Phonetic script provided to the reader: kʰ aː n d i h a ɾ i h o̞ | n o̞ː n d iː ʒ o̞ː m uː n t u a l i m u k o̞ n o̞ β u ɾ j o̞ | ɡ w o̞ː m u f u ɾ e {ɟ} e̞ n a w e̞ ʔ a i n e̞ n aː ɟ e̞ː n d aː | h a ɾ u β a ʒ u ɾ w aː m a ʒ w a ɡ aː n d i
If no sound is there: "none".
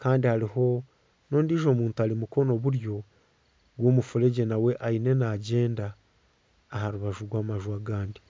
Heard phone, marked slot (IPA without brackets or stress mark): ɟ